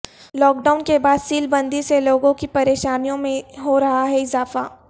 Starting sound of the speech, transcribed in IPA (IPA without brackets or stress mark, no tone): l